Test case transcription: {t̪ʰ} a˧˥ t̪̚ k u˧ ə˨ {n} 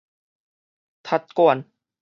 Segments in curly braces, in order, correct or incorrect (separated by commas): correct, correct